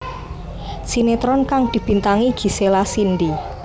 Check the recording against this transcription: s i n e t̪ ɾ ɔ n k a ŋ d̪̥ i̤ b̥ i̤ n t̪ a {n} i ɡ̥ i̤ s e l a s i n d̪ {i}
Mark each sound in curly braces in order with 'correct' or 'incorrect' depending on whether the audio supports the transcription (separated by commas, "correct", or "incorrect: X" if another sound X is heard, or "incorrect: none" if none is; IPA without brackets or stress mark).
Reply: incorrect: ŋ, correct